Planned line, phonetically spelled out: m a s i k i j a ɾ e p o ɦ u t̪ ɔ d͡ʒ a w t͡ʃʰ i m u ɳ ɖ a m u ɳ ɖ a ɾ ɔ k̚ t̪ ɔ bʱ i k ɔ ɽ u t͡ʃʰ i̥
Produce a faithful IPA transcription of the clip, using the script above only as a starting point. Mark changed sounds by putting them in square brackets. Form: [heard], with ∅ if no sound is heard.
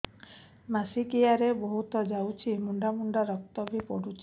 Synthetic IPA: m a s i k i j a ɾ e [b] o ɦ u t̪ ɔ d͡ʒ a w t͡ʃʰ i m u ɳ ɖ a m u ɳ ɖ a ɾ ɔ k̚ t̪ ɔ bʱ i [p] ɔ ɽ u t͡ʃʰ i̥